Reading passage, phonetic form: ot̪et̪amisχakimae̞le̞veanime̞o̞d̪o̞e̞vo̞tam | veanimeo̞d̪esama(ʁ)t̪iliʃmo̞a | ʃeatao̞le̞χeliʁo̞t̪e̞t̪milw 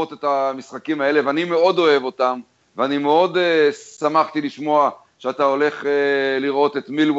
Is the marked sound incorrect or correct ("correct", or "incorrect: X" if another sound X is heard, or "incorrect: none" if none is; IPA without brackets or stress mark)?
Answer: incorrect: χ